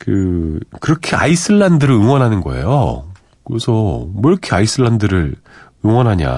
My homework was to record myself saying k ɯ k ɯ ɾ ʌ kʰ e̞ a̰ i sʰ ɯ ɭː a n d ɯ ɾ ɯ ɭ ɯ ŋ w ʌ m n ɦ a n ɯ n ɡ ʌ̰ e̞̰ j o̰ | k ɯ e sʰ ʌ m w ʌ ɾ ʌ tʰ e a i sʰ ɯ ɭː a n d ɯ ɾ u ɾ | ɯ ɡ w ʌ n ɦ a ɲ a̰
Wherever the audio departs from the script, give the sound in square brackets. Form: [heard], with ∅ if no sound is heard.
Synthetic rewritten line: k ɯ k ɯ ɾ ʌ kʰ e̞ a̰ i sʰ ɯ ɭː a n d ɯ ɾ ɯ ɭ ɯ ŋ w ʌ [∅] n ɦ a n ɯ n ɡ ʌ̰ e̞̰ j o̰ | k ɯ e sʰ ʌ m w ʌ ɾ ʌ [kʰ] e a i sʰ ɯ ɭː a n d ɯ ɾ [ɯ] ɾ | ɯ [ŋ] w ʌ n ɦ a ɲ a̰